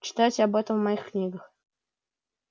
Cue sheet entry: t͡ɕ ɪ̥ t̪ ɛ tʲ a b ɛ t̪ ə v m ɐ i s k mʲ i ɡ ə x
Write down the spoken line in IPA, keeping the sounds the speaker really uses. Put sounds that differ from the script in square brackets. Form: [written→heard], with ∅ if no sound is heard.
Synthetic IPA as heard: t͡ɕ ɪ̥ t̪ [ɛ→a] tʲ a b ɛ t̪ ə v m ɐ i [s→x] k [mʲ→nʲ] i ɡ ə x